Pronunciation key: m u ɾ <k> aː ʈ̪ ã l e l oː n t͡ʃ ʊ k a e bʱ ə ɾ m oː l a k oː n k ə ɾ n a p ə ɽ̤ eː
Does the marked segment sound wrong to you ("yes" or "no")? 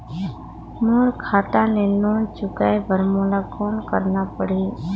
yes